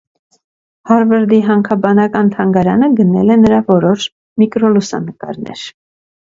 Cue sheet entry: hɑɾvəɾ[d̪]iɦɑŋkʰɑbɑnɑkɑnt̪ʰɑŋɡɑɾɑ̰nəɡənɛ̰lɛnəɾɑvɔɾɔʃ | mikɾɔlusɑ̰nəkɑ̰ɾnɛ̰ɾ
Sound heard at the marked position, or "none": d̪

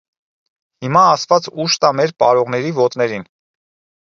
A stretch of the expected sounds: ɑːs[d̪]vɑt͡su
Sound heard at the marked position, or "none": t̪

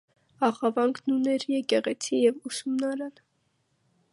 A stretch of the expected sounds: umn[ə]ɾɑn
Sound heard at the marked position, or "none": ɑ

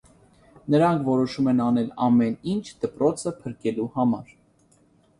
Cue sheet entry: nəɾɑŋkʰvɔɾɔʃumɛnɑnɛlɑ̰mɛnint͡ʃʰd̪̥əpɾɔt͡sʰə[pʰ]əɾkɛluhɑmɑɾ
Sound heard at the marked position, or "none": pʰ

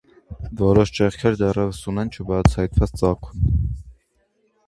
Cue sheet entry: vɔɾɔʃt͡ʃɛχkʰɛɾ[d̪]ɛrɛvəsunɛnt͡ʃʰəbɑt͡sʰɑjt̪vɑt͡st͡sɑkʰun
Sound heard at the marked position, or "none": d̪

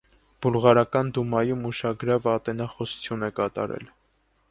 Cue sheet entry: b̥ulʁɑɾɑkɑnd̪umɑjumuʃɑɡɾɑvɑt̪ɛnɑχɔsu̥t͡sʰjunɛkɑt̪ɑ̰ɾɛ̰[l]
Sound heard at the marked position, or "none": l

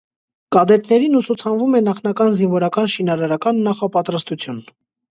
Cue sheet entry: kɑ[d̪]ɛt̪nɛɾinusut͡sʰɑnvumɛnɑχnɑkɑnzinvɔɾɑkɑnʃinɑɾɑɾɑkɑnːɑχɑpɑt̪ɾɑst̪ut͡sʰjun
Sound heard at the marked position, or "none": d̪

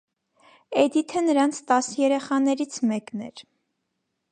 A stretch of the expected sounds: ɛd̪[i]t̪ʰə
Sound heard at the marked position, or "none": i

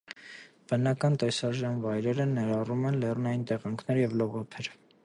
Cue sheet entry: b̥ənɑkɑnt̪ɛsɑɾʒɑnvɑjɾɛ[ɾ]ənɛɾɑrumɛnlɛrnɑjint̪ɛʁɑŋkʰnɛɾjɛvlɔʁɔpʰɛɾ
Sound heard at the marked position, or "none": ɾ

